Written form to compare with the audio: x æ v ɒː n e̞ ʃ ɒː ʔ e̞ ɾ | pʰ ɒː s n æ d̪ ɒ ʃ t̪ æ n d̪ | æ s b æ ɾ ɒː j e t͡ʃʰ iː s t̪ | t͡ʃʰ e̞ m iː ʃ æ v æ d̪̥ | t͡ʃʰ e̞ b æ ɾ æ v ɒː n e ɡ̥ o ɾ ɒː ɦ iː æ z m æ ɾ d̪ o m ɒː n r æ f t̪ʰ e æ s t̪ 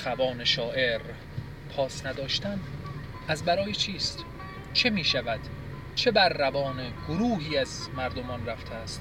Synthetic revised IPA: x æ v ɒː n e̞ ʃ ɒː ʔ e̞ ɾ | pʰ ɒː s n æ d̪ ɒː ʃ t̪ æ n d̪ | æ z b æ ɾ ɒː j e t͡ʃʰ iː s t̪ | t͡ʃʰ e̞ m iː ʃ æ v æ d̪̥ | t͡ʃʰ e̞ b æ ɾː æ v ɒː n e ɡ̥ o ɾ uː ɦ iː æ z m æ ɾ d̪ o m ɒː n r æ f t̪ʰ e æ s t̪